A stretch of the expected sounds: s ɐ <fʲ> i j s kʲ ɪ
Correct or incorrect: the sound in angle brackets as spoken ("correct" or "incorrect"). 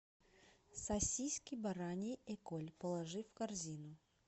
incorrect